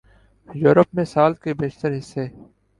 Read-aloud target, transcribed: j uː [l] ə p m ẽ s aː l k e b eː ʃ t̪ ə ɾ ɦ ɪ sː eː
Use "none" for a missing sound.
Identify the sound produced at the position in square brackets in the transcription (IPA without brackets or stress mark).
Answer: ɾ